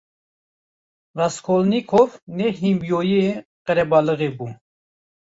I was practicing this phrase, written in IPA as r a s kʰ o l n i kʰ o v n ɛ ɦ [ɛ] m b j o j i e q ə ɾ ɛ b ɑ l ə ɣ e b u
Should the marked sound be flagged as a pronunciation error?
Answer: yes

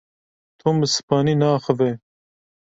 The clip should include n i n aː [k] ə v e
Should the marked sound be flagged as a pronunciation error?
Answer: yes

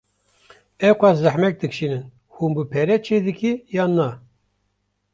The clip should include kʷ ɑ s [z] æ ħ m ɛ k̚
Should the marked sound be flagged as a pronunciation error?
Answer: no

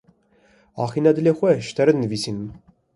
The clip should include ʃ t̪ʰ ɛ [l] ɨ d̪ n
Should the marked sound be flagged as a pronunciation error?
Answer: yes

